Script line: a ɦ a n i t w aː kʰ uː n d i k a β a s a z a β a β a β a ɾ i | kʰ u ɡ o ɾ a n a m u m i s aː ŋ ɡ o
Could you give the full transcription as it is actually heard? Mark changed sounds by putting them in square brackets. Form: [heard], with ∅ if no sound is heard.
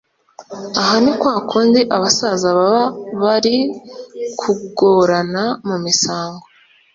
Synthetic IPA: a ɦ a n i [k] w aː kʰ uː n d i [ʔ] a β a s a z a β a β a β a ɾ i | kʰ u ɡ o ɾ a n a m u m i s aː ŋ ɡ o